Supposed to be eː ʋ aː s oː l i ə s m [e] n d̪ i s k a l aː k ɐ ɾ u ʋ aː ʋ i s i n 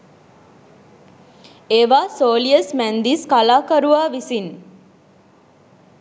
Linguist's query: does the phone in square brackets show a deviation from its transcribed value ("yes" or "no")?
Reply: yes